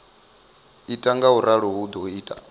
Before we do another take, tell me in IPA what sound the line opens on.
i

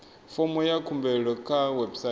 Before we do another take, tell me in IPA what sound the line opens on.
f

